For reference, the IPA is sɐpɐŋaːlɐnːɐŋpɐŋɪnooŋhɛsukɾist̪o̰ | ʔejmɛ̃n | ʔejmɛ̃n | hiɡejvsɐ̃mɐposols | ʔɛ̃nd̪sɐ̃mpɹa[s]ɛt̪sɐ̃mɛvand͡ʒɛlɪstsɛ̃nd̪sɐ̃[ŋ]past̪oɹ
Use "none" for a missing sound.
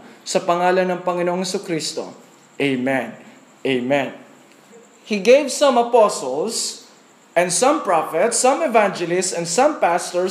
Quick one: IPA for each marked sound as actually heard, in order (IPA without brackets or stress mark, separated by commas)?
f, m